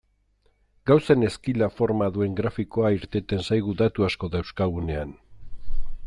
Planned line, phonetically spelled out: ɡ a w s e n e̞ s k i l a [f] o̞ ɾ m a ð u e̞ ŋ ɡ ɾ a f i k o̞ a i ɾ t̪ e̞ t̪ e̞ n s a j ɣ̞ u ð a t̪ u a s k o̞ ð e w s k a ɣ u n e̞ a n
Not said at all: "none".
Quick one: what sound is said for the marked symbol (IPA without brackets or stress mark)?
f